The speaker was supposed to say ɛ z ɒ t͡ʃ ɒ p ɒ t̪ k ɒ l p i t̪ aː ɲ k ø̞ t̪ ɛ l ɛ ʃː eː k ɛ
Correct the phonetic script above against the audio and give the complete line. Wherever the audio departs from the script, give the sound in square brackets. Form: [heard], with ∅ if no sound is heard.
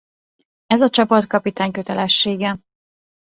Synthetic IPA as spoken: ɛ z ɒ t͡ʃ ɒ p ɒ t̪ k ɒ [∅] p i t̪ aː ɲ k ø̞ t̪ ɛ l ɛ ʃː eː [ɡ] ɛ

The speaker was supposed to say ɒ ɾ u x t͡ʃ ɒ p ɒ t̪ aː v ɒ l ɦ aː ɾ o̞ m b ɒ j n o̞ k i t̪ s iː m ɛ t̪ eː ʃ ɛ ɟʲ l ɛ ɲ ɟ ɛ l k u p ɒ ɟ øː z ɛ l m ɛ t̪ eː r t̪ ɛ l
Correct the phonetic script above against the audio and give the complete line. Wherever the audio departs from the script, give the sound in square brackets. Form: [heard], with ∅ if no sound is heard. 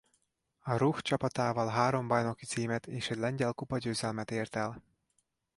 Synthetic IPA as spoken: ɒ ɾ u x t͡ʃ ɒ p ɒ t̪ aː v ɒ l ɦ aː ɾ o̞ m b ɒ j n o̞ k i t̪ s iː m ɛ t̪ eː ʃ ɛ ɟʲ l ɛ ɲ ɟ ɛ l k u p ɒ ɟ øː z ɛ l m ɛ t̪ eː r t̪ ɛ l

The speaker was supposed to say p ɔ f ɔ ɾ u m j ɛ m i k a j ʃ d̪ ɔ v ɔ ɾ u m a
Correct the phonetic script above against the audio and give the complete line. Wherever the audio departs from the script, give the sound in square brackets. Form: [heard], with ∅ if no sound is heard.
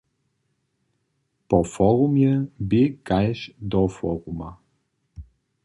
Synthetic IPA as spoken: p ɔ f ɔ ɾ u m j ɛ [b] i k a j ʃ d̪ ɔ [f] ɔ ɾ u m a

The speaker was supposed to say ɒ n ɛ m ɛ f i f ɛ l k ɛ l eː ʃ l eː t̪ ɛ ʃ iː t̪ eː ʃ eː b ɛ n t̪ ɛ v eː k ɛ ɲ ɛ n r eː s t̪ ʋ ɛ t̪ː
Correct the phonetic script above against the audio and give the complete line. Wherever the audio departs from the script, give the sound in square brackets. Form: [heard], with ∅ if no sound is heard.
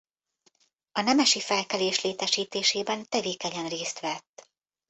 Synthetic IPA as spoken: ɒ n ɛ m ɛ [ʃ] i f ɛ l k ɛ l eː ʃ l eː t̪ ɛ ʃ iː t̪ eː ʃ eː b ɛ n t̪ ɛ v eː k ɛ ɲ ɛ n r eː s t̪ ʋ ɛ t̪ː

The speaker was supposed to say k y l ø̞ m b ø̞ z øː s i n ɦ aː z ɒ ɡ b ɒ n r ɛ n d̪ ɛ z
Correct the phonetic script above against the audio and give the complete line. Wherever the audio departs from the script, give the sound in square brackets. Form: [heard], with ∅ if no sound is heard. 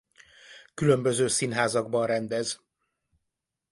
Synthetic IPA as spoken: k y l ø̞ m b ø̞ z øː s i n ɦ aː z ɒ ɡ b ɒ n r ɛ n d̪ ɛ z

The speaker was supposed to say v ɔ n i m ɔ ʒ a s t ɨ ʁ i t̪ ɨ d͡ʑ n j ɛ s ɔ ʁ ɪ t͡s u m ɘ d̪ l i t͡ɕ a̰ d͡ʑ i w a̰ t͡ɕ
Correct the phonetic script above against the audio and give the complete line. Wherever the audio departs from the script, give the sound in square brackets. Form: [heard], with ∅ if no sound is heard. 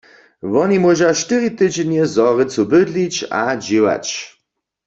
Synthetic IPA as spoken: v ɔ n i m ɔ ʒ a [ʃ] t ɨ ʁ i t̪ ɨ d͡ʑ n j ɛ [z] ɔ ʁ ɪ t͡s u [b] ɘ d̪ l i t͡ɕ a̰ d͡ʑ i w a̰ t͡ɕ

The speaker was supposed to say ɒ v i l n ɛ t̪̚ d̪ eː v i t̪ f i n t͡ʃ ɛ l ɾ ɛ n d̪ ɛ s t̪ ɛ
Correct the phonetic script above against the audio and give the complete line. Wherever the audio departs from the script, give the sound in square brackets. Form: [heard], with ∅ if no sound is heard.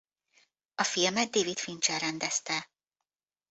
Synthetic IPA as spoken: ɒ [f] i l [m] ɛ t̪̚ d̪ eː v i t̪ f i n t͡ʃ ɛ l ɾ ɛ n d̪ ɛ s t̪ ɛ

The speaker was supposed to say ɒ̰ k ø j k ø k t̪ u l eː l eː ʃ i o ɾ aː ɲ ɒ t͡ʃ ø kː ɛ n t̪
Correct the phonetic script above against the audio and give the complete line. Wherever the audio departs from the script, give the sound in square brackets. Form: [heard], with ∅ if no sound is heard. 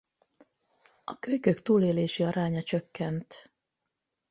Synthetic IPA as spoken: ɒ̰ k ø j k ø k t̪ [uː] l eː l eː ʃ i [ɒ] ɾ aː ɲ ɒ t͡ʃ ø kː ɛ n t̪

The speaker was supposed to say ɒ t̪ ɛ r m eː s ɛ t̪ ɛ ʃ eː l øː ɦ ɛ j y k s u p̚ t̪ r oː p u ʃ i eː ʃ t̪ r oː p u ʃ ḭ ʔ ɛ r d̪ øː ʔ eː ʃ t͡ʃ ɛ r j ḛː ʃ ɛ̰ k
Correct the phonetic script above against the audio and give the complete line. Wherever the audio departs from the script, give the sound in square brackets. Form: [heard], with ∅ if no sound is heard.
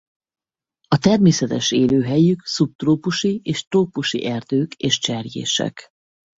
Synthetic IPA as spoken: ɒ t̪ ɛ r m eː s ɛ t̪ ɛ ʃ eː l øː ɦ ɛ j y k s u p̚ t̪ r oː p u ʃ i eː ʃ t̪ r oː p u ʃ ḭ ʔ ɛ r d̪ øː [k] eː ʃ t͡ʃ ɛ r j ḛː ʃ ɛ̰ k

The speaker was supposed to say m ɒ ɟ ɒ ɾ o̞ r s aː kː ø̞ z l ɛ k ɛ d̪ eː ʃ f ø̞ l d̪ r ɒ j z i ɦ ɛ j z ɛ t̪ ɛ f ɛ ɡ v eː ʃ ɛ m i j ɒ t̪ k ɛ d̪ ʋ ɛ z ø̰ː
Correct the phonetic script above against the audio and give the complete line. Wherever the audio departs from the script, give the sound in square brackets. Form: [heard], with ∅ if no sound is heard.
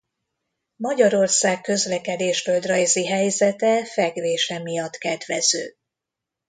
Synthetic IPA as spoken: m ɒ ɟ ɒ ɾ o̞ r s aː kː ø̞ z l ɛ k ɛ d̪ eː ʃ f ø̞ l d̪ r ɒ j z i ɦ ɛ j z ɛ t̪ ɛ f ɛ ɡ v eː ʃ ɛ m i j ɒ t̪ k ɛ d̪ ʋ ɛ z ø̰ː

